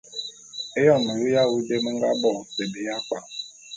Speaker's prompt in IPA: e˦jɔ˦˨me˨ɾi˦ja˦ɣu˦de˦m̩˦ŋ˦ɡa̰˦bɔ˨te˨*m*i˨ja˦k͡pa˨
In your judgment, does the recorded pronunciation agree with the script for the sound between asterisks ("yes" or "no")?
no